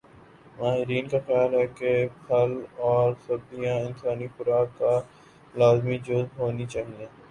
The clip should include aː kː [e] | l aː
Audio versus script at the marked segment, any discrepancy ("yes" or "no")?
yes